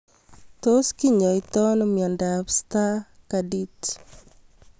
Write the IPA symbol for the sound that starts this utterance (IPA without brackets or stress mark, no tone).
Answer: t